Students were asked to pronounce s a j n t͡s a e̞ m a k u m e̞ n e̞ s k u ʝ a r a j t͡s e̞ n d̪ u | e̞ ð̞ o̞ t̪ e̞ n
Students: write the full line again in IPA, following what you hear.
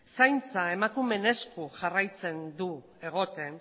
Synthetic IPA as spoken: s a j n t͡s a e̞ m a k u m e̞ n e̞ s k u ʝ a r a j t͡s e̞ n d̪ u | e̞ ɣ̞ o̞ t̪ e̞ n

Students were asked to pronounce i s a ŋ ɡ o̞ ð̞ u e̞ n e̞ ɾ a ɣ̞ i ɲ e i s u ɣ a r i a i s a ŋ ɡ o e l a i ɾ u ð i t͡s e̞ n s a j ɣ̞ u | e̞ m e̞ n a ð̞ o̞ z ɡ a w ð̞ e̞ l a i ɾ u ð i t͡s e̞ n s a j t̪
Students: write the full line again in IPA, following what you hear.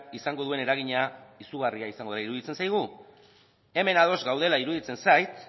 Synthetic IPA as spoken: i s a ŋ ɡ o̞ ð̞ u e̞ n e̞ ɾ a ɣ̞ i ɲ a i s u ɣ a r i a i s a ŋ ɡ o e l a i ɾ u ð i t͡s e̞ n s a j ɣ̞ u | e̞ m e̞ n a ð̞ o̞ z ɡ a w ð̞ e̞ l a i ɾ u ð i t͡s e̞ n s a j t̪

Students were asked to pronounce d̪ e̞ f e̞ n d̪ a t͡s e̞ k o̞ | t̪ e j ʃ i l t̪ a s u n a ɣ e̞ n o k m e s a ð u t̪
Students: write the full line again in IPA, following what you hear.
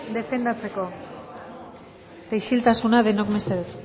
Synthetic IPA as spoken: d̪ e̞ f e̞ n d̪ a t͡s e̞ k o̞ | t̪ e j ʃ i l t̪ a s u n a ð e̞ n o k m e s e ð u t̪

